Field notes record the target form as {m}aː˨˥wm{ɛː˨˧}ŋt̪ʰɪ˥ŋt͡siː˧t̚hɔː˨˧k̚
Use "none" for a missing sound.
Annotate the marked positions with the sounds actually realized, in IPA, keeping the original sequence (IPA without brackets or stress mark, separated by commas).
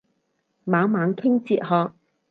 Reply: m, aː˨˧